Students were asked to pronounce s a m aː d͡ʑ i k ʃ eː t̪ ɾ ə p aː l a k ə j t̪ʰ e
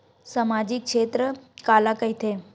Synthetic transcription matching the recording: s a m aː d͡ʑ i k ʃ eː t̪ ɾ ə k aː l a k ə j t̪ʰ e